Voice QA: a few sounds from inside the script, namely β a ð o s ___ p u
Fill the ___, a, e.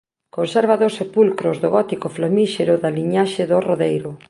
e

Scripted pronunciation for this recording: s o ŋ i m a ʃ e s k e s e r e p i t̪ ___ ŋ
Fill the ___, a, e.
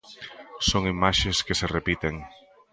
e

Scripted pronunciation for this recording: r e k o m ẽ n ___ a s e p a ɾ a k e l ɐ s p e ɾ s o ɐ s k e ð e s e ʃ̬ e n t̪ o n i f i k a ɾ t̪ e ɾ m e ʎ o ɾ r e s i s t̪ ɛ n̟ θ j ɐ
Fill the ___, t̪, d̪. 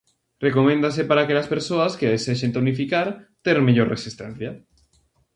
d̪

